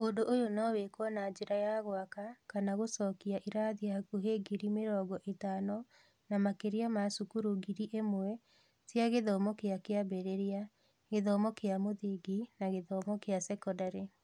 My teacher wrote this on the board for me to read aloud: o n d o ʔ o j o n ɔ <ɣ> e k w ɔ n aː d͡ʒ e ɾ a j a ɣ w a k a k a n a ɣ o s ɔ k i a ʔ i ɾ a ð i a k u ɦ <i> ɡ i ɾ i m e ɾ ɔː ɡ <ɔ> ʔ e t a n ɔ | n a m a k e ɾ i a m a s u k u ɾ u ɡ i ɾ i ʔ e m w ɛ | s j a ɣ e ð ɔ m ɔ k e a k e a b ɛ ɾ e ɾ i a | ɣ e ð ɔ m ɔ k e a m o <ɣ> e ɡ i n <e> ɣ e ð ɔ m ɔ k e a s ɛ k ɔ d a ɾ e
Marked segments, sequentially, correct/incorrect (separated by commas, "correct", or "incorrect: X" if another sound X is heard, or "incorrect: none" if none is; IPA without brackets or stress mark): incorrect: w, incorrect: e, correct, incorrect: ð, incorrect: a